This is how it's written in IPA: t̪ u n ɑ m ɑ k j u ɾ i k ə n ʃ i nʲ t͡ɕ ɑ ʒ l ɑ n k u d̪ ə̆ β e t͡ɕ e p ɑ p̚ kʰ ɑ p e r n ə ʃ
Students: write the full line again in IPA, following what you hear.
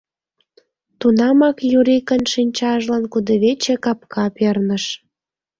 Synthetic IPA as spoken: t̪ u n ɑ m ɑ k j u ɾ i k ə n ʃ i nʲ t͡ɕ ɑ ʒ l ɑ n k u d̪ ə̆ β e t͡ɕ e k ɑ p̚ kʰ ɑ p e r n ə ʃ